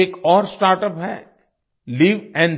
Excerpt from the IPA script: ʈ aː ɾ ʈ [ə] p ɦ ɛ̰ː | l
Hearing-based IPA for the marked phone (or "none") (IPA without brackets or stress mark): ə